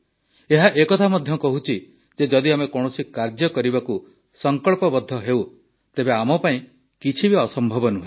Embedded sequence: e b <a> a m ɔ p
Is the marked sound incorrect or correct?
incorrect